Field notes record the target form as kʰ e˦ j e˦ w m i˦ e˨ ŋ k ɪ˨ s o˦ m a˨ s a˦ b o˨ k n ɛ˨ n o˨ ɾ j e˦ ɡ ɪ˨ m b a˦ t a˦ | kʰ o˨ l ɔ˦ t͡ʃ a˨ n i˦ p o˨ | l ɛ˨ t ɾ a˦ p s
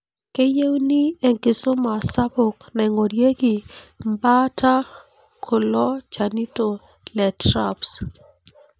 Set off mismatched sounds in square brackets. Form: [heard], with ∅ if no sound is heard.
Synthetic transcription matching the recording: [k] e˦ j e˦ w [n] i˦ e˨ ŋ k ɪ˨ s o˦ m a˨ s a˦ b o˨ k n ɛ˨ [ŋ] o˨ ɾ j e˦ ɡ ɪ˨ m b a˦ t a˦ | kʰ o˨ l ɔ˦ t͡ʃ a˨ n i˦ [t] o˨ | l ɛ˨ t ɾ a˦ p s